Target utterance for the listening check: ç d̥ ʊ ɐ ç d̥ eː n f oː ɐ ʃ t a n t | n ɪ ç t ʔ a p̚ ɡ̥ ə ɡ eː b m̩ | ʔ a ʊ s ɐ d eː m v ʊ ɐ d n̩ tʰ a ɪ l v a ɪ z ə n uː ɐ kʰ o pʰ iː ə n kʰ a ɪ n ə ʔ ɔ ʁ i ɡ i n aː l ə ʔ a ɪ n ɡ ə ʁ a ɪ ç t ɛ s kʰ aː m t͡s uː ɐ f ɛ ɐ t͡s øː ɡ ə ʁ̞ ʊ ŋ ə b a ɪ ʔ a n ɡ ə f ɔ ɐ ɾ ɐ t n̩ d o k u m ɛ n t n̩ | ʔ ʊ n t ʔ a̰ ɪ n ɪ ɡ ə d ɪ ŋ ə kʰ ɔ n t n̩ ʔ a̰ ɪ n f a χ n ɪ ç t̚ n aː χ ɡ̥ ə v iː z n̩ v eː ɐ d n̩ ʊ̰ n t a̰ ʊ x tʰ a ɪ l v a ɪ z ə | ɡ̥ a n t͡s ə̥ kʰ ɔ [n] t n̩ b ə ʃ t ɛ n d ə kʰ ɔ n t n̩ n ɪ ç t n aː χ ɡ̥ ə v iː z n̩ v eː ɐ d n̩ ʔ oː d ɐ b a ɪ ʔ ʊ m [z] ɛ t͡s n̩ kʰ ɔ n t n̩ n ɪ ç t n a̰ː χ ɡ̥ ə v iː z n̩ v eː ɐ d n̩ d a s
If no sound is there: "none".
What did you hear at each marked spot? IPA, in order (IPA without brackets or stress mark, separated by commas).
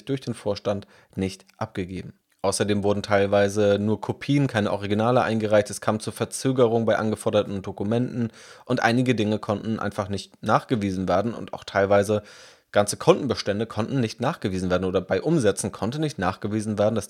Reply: n, z